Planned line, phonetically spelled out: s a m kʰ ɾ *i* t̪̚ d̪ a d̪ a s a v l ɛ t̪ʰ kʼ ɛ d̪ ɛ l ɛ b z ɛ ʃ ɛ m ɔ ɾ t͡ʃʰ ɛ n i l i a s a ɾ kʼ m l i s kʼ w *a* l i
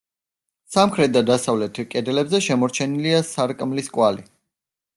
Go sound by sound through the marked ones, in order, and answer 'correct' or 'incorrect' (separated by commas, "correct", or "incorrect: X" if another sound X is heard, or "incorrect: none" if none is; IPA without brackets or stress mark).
incorrect: ɛ, correct